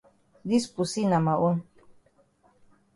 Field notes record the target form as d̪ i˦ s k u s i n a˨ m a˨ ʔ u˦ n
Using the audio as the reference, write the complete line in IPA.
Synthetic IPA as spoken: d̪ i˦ s p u s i n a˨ m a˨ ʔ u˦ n